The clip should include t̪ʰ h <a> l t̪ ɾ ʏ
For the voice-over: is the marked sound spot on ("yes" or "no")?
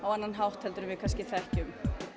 no